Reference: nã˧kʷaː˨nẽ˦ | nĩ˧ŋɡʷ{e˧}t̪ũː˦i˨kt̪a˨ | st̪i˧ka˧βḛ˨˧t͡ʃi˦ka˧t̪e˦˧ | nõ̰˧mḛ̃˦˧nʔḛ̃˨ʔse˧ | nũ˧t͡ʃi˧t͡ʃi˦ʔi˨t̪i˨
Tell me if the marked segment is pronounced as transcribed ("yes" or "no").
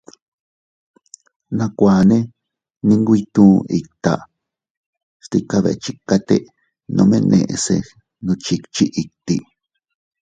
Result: no